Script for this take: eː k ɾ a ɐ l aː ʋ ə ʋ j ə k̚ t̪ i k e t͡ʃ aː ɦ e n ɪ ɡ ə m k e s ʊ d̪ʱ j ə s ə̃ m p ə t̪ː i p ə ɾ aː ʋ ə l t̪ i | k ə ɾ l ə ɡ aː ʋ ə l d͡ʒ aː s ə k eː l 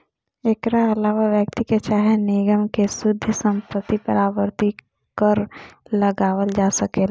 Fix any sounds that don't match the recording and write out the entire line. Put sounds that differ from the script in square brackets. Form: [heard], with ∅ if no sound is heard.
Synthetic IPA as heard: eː k ɾ a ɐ l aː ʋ [a] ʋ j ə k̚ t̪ i k e t͡ʃ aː ɦ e n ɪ ɡ ə m k e s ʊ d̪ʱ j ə s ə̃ m p ə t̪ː i p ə ɾ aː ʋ ə [ɾ] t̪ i | k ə ɾ l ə ɡ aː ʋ ə l d͡ʒ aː s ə k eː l